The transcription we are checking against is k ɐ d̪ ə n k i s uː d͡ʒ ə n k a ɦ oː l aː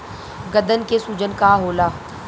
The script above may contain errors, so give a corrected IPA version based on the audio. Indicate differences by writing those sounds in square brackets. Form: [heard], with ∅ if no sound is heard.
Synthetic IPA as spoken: [ɡ] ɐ d̪ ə n k [e] s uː d͡ʒ ə n k a ɦ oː l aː